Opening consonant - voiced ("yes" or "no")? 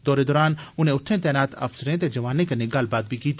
yes